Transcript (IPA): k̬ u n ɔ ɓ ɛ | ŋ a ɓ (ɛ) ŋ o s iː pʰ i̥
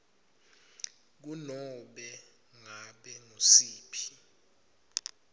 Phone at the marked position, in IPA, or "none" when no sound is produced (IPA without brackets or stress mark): ɛ